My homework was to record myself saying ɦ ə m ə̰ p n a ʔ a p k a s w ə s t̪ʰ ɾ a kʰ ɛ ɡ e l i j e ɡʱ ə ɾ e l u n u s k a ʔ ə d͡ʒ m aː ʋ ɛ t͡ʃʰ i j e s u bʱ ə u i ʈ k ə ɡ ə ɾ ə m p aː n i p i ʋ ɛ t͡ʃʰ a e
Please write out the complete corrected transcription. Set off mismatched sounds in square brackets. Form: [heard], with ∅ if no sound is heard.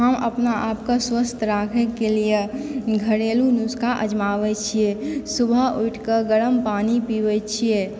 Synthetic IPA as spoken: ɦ ə m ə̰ p n a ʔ a p k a s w ə s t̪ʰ ɾ a kʰ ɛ [k] e l i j e ɡʱ ə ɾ e l u n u s k a ʔ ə d͡ʒ m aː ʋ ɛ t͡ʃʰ i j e s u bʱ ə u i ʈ k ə ɡ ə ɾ ə m p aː n i p i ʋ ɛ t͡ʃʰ [i] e